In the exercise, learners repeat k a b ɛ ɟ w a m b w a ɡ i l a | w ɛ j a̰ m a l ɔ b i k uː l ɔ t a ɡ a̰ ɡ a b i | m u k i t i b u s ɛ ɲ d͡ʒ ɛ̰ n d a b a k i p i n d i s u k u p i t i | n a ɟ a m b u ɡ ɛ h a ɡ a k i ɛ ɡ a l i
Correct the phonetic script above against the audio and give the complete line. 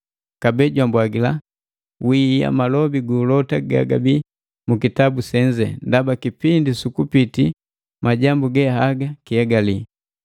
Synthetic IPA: k a b ɛ ɟ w a m b w a ɡ i l a | w i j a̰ m a l ɔ b i ɡ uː l ɔ t a ɡ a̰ ɡ a b i | m u k i t a b u s ɛ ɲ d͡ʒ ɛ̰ n d a b a k i p i n d i s u k u p i t i | m a ɟ a m b u ɡ ɛ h a ɡ a k i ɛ ɡ a l i